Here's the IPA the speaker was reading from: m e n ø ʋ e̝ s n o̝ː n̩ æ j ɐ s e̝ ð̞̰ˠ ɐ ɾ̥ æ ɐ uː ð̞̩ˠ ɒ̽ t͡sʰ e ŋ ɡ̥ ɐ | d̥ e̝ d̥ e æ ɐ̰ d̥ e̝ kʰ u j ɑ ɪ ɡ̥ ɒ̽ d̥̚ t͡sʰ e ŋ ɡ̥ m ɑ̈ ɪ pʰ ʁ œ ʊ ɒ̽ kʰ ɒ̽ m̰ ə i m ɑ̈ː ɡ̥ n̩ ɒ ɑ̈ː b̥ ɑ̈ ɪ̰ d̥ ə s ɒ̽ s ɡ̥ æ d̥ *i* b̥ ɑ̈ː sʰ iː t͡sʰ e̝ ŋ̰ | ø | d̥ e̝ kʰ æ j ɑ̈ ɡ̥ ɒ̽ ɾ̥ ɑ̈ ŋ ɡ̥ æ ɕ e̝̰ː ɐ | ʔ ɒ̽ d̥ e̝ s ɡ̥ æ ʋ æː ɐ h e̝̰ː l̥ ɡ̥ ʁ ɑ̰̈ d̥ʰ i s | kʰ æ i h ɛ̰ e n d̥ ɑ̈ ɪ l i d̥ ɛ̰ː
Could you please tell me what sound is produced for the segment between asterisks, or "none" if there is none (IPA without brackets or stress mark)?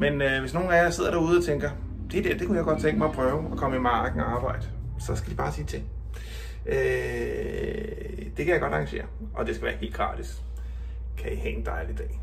i